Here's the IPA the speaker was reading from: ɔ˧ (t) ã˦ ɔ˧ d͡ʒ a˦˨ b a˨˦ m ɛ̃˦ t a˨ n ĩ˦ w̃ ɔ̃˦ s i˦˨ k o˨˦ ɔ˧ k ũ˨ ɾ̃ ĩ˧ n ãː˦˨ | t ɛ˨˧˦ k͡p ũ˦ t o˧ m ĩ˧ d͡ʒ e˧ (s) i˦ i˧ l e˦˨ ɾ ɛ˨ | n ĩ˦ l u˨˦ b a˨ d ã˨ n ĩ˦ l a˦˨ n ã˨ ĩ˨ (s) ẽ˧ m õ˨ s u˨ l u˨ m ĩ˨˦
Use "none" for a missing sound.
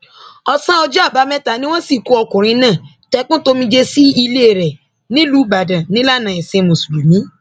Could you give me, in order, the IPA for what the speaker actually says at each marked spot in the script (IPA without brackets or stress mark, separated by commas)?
s, s, s